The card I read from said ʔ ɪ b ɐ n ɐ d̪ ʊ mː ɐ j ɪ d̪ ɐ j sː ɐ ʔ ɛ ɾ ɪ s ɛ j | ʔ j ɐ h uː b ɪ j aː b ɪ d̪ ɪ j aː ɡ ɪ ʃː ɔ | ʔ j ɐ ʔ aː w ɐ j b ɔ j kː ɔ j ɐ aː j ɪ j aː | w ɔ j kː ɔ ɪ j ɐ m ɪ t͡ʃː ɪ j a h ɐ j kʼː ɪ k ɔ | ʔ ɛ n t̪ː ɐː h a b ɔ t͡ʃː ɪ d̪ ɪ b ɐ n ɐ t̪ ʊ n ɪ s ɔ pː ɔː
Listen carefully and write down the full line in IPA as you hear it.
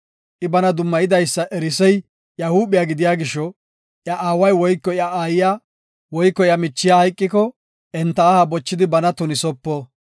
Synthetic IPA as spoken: ʔ ɪ b ɐ n ɐ d̪ ʊ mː ɐ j ɪ d̪ ɐ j sː ɐ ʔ ɛ ɾ ɪ s ɛ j | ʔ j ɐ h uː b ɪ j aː ɡ ɪ d̪ ɪ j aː ɡ ɪ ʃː ɔ | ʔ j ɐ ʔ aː w ɐ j w ɔ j kː ɔ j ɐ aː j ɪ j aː | w ɔ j kː ɔ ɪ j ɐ m ɪ t͡ʃː ɪ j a h ɐ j kʼː ɪ k ɔ | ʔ ɛ n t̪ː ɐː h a b ɔ t͡ʃː ɪ d̪ ɪ b ɐ n ɐ t̪ ʊ n ɪ s ɔ pː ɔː